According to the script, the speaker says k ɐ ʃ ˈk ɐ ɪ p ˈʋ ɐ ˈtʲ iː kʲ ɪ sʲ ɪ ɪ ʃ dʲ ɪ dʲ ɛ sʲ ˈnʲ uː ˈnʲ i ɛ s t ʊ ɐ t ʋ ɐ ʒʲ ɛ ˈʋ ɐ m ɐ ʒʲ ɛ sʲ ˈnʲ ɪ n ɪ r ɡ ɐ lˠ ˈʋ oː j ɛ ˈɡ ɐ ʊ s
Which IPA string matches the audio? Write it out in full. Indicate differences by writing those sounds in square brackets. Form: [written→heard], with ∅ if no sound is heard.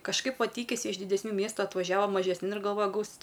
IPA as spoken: k ɐ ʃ ˈk ɐ ɪ p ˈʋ ɐ ˈtʲ iː kʲ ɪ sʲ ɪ ɪ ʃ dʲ ɪ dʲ ɛ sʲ ˈnʲ uː [ˈnʲ→ˈmʲ] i ɛ s t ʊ ɐ t ʋ ɐ ʒʲ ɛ ˈʋ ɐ m ɐ ʒʲ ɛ sʲ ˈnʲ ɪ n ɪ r ɡ ɐ lˠ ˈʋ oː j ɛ ˈɡ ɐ ʊ s

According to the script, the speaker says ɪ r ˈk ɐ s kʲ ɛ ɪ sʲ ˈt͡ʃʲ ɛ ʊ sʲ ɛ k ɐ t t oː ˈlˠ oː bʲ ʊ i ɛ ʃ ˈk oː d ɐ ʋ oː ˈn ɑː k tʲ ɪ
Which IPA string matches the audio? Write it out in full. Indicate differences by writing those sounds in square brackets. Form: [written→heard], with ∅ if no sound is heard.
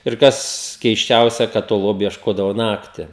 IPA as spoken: ɪ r ˈk ɐ s kʲ ɛ ɪ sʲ ˈt͡ʃʲ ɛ ʊ sʲ ɛ k ɐ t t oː ˈlˠ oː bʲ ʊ i ɛ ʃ ˈk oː d ɐ ʋ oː ˈn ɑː k tʲ ɪ

